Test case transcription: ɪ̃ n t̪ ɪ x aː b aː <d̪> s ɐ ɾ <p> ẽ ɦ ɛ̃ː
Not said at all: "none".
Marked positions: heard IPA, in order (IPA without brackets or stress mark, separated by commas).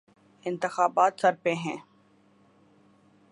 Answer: t̪, p